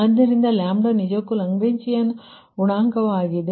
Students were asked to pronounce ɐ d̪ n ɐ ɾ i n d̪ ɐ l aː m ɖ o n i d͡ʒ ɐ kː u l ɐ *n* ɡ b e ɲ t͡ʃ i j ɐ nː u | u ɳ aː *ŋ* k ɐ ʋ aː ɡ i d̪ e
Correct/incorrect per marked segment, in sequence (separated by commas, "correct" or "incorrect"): incorrect, correct